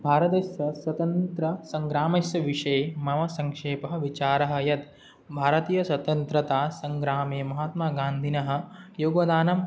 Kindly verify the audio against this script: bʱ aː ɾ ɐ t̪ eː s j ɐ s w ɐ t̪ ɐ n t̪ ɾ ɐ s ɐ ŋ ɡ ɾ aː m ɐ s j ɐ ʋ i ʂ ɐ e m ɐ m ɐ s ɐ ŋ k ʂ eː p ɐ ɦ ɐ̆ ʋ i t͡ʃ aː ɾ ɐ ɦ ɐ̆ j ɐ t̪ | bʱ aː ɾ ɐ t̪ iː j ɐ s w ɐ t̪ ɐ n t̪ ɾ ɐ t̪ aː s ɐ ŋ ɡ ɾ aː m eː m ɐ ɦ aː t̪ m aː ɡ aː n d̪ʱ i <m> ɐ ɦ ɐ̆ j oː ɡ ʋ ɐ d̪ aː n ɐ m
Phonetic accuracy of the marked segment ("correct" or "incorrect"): incorrect